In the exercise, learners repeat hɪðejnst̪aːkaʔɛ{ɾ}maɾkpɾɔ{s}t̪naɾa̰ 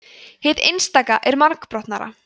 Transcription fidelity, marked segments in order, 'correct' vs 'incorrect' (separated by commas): correct, incorrect